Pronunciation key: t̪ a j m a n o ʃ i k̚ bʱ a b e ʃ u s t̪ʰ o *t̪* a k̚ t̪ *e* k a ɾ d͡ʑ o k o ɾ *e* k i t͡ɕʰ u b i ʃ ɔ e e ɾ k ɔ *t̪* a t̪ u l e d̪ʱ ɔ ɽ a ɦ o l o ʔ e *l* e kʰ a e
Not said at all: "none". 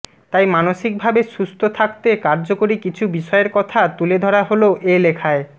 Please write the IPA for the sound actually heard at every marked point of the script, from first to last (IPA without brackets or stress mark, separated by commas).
t̪ʰ, e, i, t̪ʰ, l